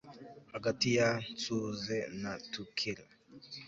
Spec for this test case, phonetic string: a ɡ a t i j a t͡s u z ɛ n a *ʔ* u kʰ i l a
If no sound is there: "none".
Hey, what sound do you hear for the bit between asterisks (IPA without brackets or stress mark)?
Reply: t